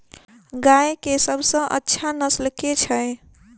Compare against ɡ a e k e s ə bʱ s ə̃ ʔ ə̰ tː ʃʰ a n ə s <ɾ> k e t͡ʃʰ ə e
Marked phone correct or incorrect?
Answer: incorrect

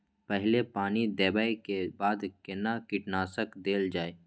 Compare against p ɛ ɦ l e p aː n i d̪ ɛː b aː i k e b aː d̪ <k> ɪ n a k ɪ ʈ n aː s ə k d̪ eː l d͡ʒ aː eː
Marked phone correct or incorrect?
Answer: correct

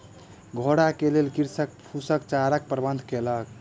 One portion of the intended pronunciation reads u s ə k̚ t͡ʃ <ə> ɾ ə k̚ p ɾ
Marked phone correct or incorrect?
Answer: incorrect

